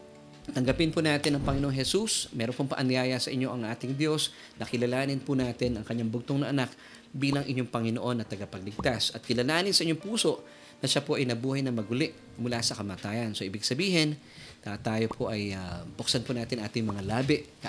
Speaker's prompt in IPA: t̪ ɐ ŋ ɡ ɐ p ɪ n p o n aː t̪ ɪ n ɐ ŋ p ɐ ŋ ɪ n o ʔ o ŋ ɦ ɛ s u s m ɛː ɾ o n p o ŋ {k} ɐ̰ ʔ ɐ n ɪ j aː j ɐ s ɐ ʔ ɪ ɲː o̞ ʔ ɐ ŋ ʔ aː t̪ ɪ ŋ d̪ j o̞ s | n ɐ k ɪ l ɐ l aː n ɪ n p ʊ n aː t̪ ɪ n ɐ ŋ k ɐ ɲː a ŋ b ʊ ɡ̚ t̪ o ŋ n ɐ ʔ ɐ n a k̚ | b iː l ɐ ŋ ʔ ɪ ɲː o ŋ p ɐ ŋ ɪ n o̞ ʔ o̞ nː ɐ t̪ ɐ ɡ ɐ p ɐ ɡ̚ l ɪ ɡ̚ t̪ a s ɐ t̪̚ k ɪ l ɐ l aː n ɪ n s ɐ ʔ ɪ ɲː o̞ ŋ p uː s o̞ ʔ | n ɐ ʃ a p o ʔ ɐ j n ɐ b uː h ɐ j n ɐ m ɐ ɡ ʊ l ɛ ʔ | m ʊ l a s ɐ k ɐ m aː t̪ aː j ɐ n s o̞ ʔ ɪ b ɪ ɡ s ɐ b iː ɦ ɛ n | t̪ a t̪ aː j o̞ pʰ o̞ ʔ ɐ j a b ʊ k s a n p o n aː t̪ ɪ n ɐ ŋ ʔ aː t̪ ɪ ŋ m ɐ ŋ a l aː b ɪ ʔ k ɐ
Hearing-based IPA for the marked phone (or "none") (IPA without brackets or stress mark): p